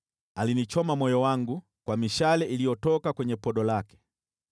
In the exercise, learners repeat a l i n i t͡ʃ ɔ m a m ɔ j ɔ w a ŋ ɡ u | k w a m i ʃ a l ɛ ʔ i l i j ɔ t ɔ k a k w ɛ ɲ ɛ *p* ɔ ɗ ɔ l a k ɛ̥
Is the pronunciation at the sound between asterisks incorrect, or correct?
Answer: correct